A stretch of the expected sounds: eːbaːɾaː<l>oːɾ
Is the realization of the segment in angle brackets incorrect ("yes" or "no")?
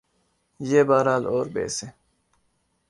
no